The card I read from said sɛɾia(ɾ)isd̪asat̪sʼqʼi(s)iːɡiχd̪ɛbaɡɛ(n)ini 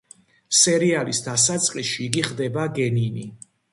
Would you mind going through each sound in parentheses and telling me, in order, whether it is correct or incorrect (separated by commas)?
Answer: incorrect, incorrect, correct